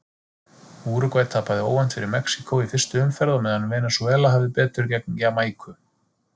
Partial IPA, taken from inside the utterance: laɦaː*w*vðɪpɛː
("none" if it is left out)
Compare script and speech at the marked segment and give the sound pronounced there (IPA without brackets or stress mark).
none